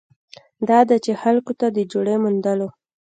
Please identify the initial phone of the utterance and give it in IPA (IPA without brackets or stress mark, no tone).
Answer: d̪